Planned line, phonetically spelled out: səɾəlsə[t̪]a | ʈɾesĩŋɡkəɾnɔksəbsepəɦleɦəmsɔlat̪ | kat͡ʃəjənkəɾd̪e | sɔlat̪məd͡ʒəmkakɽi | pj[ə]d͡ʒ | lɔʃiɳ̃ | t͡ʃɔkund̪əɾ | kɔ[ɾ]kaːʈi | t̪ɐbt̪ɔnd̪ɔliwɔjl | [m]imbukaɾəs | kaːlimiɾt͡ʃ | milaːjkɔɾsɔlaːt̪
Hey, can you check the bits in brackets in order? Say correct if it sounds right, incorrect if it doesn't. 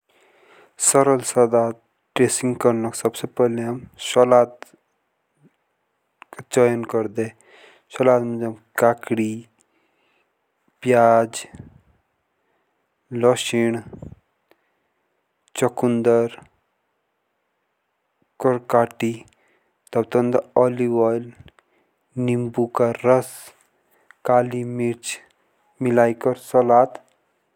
incorrect: d̪, incorrect: a, correct, incorrect: n

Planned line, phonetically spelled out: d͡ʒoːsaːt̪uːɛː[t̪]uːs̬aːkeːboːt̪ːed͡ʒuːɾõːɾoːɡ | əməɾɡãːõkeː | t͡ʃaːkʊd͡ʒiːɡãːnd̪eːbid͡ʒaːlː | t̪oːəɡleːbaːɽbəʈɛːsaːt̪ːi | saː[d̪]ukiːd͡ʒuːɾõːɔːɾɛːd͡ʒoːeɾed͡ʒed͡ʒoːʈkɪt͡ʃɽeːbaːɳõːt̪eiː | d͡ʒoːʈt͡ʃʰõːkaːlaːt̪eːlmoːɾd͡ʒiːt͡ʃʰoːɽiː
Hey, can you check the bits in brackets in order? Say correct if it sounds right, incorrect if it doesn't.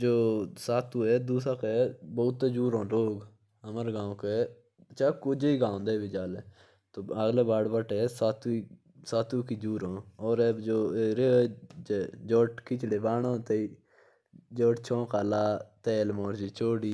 incorrect: d̪, incorrect: t̪

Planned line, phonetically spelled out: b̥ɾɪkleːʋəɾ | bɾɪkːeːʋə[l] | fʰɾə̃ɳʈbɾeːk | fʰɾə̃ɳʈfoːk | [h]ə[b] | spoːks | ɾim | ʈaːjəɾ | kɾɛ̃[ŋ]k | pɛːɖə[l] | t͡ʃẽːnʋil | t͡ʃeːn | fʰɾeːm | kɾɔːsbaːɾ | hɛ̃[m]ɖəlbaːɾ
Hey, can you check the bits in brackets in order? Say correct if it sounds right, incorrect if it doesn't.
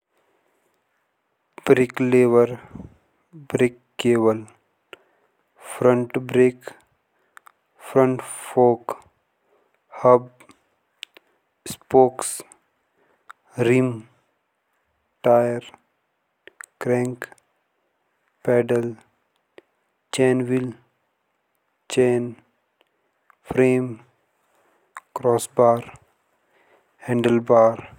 correct, correct, correct, correct, correct, incorrect: ɳ

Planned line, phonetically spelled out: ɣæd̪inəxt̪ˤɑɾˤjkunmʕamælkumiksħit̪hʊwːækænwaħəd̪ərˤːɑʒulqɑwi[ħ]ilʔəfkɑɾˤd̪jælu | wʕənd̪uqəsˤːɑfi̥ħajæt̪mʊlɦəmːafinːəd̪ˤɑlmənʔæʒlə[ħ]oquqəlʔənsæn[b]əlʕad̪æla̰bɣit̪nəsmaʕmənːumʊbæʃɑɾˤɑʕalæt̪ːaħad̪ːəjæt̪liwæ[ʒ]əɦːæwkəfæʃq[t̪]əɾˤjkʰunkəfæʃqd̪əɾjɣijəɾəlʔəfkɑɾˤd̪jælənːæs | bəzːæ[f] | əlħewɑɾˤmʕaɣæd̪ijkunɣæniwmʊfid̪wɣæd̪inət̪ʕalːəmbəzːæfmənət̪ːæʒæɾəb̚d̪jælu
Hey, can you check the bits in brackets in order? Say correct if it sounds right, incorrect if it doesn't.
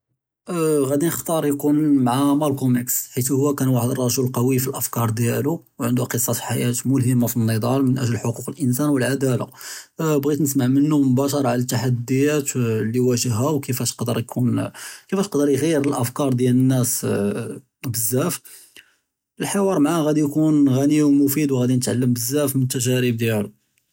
incorrect: f, correct, incorrect: w, correct, incorrect: d̪, correct

